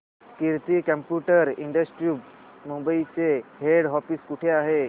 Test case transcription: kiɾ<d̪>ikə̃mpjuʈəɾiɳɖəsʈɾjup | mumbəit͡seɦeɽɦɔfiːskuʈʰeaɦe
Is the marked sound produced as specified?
no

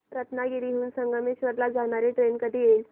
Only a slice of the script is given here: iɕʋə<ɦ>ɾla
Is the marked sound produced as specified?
no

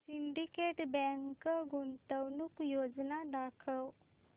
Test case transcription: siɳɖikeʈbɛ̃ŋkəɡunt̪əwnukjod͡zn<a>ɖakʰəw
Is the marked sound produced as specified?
yes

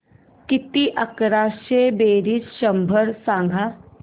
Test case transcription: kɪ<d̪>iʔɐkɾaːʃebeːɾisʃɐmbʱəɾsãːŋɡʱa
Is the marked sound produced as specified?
no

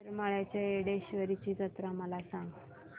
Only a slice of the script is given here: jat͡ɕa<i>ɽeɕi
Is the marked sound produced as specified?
no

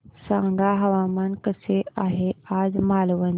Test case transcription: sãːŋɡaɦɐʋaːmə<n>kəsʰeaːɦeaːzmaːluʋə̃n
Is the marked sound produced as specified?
yes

